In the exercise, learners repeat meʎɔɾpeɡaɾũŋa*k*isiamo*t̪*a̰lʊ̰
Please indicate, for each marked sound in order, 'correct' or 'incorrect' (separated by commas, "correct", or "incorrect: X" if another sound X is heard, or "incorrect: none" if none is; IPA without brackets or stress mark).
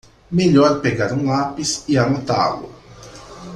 incorrect: p, correct